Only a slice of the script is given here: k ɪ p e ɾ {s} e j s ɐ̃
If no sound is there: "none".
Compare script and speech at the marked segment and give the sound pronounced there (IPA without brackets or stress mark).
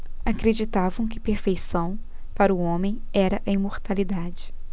f